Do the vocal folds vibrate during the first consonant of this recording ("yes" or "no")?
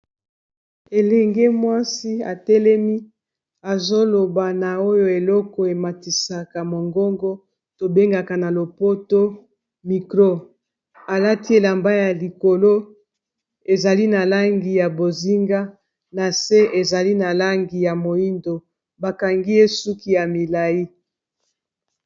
yes